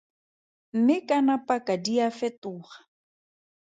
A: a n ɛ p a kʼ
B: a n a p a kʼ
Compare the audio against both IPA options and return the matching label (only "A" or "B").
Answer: B